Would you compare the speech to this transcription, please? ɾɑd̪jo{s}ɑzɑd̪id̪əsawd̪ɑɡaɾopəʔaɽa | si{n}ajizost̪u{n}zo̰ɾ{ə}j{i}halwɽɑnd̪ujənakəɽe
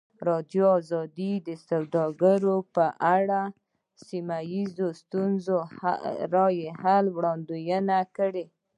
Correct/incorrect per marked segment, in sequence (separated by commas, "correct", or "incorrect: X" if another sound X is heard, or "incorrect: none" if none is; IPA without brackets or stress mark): incorrect: none, incorrect: m, correct, incorrect: ɑ, incorrect: e